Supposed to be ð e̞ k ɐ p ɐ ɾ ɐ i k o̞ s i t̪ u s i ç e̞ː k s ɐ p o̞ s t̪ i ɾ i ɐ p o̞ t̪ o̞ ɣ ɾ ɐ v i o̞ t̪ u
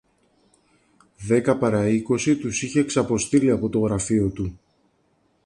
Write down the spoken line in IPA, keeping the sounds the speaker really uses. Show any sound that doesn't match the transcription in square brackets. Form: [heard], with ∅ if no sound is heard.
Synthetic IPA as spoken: ð e̞ k ɐ p ɐ ɾ ɐ i k o̞ s i t̪ u s i ç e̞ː k s ɐ p o̞ s t̪ i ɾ i ɐ p o̞ t̪ o̞ ɣ ɾ ɐ [f] i o̞ t̪ u